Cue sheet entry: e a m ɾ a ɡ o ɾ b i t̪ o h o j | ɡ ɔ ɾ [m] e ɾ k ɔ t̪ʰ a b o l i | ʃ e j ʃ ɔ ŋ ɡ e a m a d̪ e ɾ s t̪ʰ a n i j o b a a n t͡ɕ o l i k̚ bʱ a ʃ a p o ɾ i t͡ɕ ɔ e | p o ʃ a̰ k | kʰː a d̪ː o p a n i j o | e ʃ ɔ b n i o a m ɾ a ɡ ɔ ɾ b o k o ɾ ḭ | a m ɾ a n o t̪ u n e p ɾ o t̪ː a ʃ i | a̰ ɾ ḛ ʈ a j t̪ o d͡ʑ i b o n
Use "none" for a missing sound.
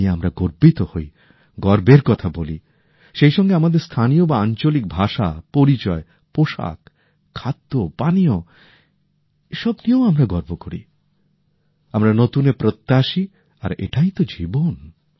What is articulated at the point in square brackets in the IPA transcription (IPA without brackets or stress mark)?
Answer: b